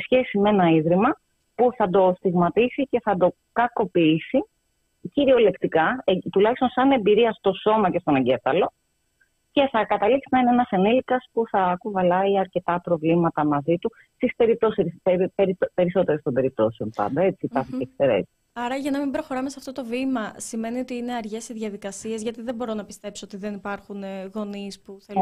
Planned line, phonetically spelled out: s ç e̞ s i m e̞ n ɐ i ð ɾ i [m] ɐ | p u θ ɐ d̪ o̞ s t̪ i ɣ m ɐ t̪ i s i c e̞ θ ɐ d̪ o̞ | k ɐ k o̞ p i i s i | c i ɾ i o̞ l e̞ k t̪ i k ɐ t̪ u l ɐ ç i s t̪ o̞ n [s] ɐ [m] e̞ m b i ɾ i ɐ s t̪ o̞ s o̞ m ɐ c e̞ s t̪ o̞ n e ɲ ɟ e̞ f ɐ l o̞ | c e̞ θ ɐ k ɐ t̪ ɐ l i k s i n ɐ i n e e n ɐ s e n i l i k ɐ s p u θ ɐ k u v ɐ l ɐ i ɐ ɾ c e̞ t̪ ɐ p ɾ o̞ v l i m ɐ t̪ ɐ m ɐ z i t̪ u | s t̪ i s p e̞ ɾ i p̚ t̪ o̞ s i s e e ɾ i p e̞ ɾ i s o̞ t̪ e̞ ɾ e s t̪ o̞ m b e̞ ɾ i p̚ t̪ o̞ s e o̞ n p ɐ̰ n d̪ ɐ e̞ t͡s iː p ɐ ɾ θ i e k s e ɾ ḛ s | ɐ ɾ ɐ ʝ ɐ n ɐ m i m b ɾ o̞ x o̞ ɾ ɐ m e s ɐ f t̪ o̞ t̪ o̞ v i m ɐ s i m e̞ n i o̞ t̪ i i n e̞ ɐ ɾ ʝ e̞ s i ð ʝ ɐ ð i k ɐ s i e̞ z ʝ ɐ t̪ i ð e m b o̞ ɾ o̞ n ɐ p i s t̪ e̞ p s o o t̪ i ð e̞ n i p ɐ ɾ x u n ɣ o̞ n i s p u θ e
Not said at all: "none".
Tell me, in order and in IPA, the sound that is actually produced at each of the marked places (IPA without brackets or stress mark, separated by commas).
m, s, n